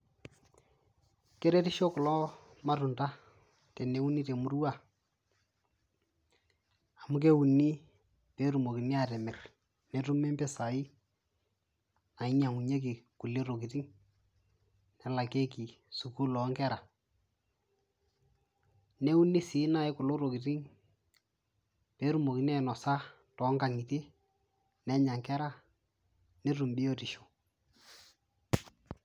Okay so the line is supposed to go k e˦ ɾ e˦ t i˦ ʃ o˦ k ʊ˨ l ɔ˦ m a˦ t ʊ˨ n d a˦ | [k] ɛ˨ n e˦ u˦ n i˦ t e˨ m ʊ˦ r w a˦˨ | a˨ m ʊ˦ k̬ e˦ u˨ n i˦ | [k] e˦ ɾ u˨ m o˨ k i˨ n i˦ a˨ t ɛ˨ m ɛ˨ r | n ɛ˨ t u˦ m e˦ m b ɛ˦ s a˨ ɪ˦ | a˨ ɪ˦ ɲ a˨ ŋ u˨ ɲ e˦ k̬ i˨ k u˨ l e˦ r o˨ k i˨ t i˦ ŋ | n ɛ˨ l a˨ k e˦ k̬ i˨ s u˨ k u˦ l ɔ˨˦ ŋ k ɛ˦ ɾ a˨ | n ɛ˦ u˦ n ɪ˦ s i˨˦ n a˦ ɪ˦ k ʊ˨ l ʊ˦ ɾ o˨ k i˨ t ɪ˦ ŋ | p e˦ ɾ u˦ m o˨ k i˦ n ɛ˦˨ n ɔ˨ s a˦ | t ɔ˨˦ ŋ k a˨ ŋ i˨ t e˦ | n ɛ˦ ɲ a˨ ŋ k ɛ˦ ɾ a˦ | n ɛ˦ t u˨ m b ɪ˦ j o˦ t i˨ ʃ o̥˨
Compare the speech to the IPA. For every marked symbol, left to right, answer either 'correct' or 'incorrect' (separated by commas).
incorrect, incorrect